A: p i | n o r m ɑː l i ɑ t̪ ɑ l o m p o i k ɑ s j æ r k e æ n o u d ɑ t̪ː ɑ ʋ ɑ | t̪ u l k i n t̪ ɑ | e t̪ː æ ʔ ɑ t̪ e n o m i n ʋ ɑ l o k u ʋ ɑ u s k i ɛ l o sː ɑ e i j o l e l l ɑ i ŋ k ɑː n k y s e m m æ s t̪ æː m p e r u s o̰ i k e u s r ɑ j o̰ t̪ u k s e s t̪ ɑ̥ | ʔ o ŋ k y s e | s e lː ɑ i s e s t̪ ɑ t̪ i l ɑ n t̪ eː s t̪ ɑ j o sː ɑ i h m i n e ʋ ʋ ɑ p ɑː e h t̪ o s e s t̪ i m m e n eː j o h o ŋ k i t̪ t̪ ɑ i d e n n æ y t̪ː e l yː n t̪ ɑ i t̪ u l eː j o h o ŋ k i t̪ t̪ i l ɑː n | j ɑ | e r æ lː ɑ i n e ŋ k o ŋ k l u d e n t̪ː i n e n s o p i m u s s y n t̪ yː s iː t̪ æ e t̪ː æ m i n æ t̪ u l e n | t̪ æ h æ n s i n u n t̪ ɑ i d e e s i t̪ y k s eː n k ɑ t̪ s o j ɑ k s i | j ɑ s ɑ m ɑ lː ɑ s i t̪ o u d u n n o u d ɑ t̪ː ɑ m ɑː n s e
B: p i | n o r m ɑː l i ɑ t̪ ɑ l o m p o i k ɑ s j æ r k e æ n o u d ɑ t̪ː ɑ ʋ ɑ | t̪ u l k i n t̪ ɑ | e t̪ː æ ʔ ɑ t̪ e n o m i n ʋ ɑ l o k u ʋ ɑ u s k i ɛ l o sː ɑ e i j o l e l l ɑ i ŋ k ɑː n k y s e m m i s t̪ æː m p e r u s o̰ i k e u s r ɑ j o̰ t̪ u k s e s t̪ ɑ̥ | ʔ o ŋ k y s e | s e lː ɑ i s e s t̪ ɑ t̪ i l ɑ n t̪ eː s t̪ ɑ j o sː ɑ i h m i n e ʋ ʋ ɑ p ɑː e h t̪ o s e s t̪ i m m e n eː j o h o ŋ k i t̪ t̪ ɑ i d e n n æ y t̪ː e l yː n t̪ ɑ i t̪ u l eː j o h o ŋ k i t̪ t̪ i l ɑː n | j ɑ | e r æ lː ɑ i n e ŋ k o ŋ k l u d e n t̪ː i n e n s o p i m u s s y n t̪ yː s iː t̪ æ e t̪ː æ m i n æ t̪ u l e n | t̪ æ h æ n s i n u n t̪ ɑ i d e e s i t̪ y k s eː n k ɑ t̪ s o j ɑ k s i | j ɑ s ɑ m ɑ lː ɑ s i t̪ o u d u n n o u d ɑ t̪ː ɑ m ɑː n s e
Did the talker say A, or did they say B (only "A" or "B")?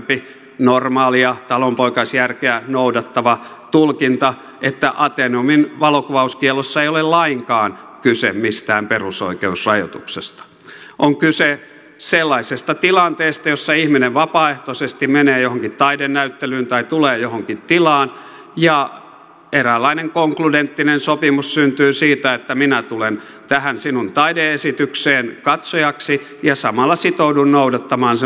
B